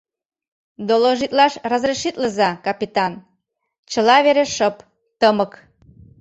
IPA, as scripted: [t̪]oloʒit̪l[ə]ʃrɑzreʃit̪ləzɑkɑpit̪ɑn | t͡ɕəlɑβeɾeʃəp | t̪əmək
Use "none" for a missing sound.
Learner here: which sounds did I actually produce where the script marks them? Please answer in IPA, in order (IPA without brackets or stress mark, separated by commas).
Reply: d̪, ɑ